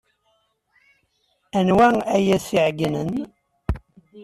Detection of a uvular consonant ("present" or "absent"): absent